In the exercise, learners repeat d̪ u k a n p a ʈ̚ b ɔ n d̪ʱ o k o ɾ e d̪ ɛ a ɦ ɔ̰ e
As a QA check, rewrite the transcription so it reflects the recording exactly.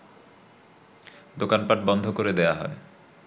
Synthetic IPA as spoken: d̪ o k a n p a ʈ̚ b ɔ n d̪ʱ o k o ɾ e d̪ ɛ a ɦ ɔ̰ e